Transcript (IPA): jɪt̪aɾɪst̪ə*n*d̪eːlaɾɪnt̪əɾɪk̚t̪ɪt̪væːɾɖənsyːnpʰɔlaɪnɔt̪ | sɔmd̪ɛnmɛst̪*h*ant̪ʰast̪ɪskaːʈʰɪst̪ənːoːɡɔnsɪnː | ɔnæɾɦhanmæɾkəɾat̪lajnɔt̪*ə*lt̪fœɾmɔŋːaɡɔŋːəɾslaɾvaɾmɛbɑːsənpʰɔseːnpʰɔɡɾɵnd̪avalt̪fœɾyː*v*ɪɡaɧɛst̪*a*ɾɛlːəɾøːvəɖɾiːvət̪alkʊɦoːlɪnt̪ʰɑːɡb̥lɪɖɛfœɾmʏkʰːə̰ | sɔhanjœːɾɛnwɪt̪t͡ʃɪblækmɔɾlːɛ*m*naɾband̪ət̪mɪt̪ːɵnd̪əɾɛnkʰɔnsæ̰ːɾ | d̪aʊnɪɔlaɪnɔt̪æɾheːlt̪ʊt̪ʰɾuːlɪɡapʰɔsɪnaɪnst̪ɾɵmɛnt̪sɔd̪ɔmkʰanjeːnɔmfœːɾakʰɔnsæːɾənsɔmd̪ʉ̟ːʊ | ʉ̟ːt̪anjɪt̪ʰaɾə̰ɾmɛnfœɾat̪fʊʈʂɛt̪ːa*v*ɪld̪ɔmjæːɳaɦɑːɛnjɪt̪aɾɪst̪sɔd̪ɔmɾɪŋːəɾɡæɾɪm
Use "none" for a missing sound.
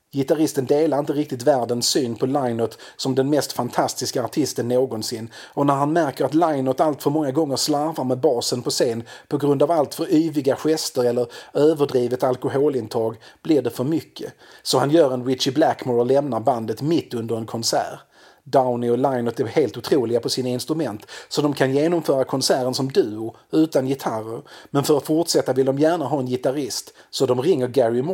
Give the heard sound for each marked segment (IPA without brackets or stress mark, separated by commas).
n, f, a, v, ə, m, v